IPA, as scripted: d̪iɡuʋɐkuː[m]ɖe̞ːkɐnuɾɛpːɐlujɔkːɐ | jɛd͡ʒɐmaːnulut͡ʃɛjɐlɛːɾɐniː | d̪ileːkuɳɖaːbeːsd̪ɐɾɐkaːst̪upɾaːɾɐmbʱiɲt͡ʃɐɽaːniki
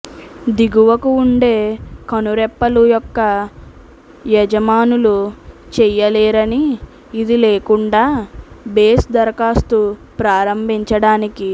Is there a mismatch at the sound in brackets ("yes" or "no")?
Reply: yes